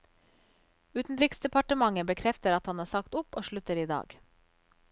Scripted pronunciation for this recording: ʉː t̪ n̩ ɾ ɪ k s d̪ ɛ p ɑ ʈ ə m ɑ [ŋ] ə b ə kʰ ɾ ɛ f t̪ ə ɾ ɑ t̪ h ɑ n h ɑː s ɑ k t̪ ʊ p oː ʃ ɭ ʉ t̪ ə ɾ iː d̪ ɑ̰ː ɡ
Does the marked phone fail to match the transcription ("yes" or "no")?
no